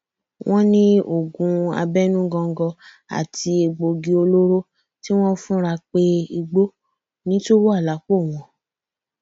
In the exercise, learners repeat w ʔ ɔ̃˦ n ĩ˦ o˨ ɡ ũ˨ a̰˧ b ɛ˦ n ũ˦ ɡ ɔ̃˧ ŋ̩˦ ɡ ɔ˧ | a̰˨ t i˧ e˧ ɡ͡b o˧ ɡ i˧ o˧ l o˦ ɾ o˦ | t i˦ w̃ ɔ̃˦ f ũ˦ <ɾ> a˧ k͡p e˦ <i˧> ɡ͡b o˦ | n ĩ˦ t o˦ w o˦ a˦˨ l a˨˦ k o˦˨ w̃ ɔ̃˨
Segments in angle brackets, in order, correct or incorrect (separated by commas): correct, correct